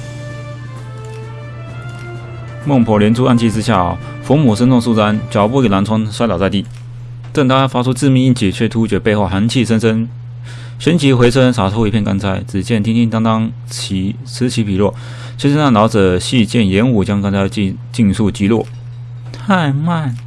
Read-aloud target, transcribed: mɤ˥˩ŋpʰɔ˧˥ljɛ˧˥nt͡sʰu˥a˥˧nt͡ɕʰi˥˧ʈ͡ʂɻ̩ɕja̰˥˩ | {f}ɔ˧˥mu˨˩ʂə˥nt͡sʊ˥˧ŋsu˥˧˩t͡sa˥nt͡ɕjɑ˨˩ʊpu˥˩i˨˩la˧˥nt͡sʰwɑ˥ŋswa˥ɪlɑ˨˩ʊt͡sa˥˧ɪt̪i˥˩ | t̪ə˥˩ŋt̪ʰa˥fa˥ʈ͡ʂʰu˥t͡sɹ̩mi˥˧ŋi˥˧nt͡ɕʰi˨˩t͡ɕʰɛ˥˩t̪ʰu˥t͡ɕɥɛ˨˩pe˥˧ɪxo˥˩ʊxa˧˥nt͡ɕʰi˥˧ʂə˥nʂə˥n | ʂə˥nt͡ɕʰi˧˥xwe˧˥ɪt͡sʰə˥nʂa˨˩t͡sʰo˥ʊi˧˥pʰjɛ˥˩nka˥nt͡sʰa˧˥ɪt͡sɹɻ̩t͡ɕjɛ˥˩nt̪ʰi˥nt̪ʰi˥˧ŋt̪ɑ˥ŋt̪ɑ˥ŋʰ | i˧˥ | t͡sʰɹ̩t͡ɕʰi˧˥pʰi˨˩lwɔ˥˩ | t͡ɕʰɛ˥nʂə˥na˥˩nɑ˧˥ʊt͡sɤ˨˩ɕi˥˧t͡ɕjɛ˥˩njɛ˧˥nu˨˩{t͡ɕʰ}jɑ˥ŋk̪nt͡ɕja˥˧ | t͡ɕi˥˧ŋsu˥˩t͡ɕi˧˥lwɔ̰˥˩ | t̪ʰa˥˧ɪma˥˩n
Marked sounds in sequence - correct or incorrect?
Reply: correct, incorrect

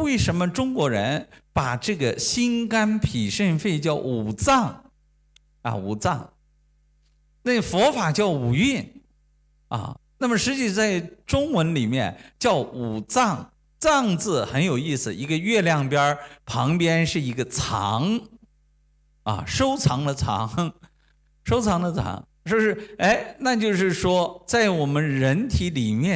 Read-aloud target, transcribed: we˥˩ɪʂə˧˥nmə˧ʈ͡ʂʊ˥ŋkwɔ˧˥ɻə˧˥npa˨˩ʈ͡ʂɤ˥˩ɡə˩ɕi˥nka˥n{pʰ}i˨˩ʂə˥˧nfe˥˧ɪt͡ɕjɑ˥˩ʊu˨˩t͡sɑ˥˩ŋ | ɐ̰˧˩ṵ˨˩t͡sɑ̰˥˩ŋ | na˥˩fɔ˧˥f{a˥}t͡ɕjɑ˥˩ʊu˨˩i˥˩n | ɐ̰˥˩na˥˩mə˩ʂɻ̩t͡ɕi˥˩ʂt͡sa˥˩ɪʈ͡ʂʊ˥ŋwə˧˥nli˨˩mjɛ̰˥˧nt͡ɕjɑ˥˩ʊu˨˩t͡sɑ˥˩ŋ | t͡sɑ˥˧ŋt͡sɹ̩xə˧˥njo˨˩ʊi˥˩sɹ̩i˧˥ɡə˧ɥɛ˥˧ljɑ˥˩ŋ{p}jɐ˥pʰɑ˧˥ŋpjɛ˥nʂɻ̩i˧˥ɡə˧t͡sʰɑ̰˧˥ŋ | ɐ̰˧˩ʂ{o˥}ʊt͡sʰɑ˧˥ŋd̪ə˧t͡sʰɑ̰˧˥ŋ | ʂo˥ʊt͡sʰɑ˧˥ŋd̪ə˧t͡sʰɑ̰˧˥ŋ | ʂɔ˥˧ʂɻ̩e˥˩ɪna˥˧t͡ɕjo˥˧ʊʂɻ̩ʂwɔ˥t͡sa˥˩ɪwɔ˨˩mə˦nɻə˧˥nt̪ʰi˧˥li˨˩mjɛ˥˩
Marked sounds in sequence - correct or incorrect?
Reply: correct, incorrect, correct, correct

